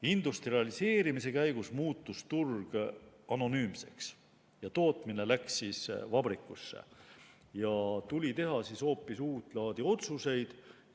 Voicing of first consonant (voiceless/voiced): voiced